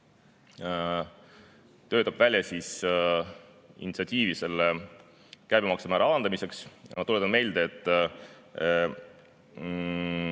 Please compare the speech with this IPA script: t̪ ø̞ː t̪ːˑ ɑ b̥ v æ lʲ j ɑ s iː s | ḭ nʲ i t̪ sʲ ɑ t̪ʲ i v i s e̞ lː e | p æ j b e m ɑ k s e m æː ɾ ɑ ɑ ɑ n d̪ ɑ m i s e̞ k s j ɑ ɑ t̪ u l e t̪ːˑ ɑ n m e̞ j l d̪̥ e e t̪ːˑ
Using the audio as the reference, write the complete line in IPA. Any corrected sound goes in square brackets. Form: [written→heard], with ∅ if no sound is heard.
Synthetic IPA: t̪ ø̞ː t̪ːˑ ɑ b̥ v æ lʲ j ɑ s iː s | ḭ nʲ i t̪ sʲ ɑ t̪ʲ [i→iː] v i s e̞ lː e | [p→k] æ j b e m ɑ k s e m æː ɾ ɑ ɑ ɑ n d̪ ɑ m i s e̞ k s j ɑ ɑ t̪ u l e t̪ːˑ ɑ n m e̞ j l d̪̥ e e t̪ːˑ